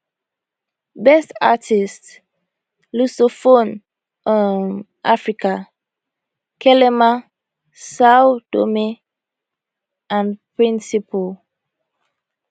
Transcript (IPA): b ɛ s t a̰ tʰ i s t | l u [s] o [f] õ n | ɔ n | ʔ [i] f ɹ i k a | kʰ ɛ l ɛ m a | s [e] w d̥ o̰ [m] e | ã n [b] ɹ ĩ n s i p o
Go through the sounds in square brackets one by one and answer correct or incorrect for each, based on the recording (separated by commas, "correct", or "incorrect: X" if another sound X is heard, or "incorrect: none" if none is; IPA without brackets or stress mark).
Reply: correct, correct, incorrect: a, incorrect: a, correct, incorrect: p